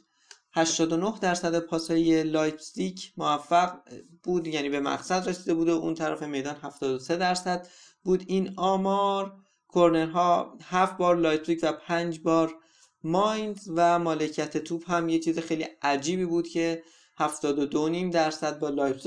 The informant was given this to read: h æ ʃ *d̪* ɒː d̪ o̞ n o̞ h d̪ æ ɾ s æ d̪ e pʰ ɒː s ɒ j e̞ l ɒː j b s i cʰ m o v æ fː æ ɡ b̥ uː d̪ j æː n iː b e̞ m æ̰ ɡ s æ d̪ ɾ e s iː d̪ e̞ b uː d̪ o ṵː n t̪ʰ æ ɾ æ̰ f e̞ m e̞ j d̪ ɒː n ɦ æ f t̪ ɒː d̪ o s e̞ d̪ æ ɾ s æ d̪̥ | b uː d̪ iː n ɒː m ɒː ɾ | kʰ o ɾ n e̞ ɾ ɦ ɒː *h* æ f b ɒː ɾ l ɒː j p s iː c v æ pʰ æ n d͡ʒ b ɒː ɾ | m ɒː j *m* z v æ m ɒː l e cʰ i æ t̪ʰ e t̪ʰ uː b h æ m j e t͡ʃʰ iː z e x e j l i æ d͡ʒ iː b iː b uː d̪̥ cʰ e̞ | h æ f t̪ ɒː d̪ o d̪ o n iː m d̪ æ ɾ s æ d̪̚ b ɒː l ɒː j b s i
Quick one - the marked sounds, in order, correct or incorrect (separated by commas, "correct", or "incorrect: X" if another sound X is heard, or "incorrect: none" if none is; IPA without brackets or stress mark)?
incorrect: t̪, correct, incorrect: n